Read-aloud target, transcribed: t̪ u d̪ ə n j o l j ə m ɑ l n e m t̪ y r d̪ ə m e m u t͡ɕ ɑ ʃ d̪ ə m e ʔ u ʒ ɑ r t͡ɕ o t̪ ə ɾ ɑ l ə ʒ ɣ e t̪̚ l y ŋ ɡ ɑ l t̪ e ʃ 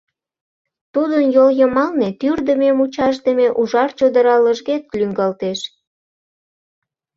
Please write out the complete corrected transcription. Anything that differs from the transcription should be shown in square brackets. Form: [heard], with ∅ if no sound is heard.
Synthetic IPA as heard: t̪ u d̪ ə n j o l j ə m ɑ l n e [∅] t̪ y r d̪ ə m e m u t͡ɕ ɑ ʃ d̪ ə m e ʔ u ʒ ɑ r t͡ɕ o [d̪] ə ɾ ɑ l ə ʒ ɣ e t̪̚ l y ŋ ɡ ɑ l t̪ e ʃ